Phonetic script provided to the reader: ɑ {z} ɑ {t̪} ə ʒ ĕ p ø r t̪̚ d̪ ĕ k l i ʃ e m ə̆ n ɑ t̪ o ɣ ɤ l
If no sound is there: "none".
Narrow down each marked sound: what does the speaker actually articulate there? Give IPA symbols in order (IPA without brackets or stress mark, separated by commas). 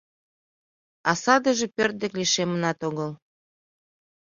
s, d̪